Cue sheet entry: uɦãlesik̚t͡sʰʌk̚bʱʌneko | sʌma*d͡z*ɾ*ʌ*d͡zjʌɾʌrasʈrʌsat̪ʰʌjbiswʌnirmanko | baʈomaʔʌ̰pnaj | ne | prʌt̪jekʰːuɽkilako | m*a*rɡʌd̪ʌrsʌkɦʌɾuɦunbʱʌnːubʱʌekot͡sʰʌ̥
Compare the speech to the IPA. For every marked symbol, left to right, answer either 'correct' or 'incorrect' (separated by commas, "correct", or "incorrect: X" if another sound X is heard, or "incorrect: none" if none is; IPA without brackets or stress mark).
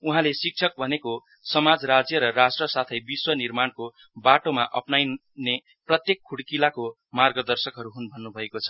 correct, incorrect: a, correct